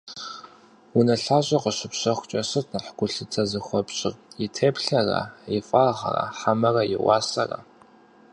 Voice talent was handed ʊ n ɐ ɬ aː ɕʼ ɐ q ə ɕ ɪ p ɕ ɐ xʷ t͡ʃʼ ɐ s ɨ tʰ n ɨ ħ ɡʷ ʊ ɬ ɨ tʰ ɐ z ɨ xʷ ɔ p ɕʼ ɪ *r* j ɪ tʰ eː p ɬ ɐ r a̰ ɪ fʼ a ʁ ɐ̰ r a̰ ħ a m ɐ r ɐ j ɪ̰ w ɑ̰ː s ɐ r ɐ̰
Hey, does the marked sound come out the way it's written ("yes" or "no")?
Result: yes